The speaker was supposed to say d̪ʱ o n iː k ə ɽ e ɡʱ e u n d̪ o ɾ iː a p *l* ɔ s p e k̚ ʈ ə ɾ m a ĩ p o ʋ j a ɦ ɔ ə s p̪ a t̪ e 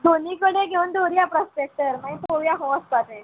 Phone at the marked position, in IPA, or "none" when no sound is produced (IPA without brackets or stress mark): ɾ